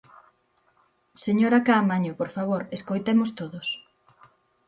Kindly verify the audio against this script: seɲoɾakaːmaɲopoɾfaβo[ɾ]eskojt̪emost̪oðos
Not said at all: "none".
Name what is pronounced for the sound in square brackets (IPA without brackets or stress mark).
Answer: ɾ